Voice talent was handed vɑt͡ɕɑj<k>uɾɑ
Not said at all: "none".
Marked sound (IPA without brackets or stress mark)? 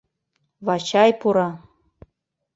p